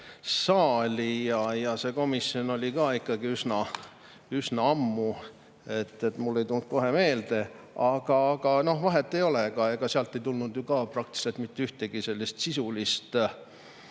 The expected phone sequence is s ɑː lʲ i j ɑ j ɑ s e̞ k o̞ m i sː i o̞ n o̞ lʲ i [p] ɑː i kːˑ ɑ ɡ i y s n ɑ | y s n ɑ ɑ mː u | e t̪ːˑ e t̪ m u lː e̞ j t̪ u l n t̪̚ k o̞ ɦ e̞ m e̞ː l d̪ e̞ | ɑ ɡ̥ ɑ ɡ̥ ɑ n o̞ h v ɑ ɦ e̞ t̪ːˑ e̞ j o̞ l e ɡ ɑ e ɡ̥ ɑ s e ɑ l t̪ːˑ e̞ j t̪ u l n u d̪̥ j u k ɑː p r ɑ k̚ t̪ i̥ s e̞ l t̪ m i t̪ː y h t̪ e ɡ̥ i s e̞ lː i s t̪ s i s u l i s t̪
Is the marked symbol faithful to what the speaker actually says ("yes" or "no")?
no